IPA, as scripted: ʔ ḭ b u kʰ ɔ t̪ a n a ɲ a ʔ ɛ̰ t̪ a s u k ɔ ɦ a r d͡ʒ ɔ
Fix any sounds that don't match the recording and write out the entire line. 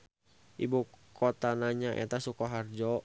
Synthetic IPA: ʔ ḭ b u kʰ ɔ t̪ a n a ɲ a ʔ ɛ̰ t̪ a s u k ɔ ɦ a r d͡ʒ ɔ